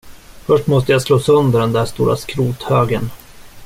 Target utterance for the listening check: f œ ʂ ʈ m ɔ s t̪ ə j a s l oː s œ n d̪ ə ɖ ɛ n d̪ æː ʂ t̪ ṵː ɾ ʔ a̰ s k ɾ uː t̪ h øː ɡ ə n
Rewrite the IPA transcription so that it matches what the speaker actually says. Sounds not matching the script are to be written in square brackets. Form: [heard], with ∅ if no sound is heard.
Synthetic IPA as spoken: f œ ʂ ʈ m ɔ s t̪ ə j a s l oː s œ n d̪ ə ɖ ɛ n d̪ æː ʂ t̪ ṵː ɾ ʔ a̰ s k ɾ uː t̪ h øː ɡ ə n